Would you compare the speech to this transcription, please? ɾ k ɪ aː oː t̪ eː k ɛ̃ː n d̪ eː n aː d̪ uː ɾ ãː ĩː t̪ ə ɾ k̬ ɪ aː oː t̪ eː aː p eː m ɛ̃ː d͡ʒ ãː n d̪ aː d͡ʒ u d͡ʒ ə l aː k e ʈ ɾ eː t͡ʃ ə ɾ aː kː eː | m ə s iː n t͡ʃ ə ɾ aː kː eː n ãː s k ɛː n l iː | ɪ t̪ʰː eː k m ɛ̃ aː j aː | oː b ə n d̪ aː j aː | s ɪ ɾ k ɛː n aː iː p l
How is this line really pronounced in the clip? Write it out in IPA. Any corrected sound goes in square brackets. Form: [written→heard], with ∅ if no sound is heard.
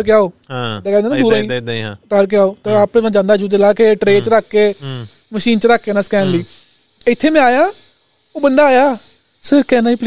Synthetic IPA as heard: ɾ k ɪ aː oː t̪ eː k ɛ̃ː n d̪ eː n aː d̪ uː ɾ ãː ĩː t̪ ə ɾ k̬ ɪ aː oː t̪ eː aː p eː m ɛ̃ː d͡ʒ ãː n d̪ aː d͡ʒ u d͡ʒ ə l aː k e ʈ ɾ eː t͡ʃ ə ɾ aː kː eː | m ə [s→ʃ] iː n t͡ʃ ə ɾ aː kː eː n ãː s k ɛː n l iː | ɪ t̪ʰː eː [k→∅] m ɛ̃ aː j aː | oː b ə n d̪ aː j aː | s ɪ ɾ k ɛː n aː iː p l